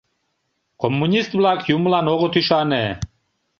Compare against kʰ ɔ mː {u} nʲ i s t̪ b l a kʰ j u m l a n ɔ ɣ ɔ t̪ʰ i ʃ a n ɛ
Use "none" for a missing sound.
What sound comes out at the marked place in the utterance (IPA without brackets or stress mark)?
u